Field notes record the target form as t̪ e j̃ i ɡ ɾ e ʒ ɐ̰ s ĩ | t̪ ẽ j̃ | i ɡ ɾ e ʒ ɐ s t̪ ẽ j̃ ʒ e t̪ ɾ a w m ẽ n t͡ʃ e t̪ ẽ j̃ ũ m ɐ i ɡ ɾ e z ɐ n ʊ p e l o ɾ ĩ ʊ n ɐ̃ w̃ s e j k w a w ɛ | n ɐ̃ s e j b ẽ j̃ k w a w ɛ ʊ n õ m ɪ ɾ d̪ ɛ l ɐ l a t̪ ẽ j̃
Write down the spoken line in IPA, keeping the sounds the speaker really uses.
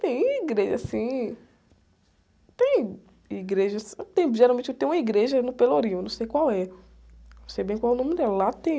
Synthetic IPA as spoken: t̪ ẽ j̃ i ɡ ɾ e ʒ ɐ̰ s ĩ | t̪ ẽ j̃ | i ɡ ɾ e ʒ ɐ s t̪ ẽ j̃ ʒ e ɾ a w m ẽ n t͡ʃ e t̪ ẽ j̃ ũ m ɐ i ɡ ɾ e ʒ ɐ n ʊ p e l o ɾ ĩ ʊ n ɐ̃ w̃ s e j k w a w ɛ | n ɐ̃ s e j b ẽ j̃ k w a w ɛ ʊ n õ m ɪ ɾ d̪ ɛ l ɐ l a t̪ ẽ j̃